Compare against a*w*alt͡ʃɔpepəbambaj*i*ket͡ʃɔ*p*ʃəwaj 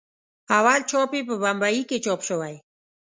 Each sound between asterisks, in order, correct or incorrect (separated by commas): correct, correct, correct